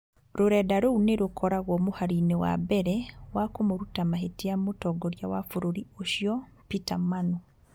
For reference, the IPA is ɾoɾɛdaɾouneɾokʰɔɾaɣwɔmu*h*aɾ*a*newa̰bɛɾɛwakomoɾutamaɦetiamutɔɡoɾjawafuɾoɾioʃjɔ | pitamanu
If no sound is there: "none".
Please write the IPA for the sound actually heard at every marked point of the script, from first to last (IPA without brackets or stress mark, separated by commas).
h, i